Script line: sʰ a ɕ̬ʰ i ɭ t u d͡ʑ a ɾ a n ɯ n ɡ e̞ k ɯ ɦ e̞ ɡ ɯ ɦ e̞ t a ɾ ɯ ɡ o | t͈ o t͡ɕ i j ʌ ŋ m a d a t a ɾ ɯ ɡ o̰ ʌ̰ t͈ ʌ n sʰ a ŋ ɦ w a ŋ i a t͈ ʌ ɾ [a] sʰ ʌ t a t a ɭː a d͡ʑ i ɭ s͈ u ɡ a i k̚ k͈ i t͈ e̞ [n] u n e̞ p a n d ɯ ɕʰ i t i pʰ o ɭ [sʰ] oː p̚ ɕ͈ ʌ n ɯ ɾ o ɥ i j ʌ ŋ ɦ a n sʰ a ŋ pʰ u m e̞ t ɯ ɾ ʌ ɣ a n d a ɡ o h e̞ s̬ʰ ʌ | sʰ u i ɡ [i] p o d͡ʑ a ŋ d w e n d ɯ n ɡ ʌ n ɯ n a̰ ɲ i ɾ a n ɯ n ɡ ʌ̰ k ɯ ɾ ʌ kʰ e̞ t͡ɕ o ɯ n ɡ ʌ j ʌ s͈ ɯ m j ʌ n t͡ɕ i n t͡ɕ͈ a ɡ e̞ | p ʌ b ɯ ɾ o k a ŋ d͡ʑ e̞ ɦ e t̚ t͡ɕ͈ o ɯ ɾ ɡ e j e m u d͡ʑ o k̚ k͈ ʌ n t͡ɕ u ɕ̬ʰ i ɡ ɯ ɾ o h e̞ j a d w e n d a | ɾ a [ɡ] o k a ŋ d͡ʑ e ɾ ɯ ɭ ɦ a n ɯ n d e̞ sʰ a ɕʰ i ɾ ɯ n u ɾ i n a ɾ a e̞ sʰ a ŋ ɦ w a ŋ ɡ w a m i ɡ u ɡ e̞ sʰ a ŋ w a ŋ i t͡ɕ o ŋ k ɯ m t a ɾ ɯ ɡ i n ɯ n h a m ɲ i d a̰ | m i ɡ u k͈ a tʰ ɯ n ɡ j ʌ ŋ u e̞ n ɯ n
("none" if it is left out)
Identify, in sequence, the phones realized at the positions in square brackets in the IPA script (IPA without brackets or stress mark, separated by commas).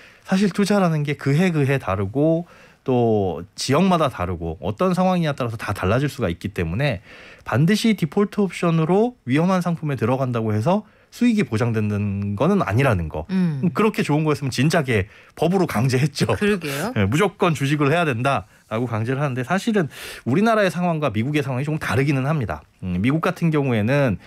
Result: a, m, tʰ, i, ɡ